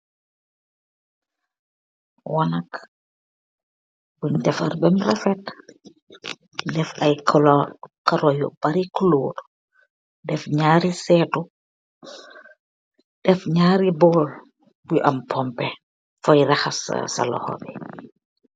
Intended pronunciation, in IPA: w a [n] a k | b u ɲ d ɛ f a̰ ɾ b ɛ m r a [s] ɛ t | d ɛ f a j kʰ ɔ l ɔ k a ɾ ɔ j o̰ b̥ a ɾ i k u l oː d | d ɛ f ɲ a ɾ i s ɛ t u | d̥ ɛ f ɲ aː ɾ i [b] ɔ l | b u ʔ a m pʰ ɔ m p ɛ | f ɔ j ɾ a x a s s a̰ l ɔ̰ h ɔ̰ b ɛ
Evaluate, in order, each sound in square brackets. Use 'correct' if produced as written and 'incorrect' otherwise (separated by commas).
correct, incorrect, correct